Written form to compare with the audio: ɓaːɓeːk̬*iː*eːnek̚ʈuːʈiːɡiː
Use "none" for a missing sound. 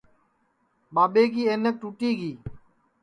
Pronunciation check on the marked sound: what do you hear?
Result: iː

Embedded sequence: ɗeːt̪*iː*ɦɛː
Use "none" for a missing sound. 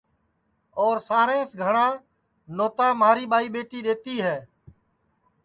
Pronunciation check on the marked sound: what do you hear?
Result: iː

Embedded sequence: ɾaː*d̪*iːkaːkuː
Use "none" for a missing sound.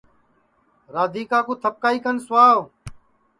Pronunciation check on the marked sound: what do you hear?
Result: d̪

